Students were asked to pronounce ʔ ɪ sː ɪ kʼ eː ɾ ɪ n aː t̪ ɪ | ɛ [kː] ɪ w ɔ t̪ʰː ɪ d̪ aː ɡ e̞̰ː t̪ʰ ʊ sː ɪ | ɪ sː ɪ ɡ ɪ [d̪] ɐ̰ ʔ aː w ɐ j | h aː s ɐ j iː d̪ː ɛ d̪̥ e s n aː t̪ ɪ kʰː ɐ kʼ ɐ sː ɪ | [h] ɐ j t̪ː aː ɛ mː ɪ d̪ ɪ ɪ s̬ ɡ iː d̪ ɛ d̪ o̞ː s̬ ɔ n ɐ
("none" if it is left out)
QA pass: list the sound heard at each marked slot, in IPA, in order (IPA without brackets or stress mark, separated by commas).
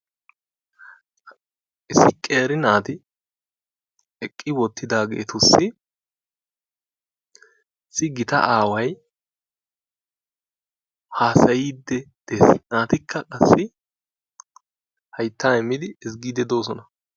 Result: kʼː, t̪, h